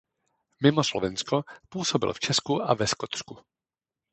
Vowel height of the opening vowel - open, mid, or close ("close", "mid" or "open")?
close